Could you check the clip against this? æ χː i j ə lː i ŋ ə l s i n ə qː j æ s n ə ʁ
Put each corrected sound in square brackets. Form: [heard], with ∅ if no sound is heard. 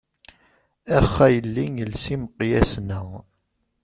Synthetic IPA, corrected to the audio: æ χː [æ] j ə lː i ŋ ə l s i [m] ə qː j æ s n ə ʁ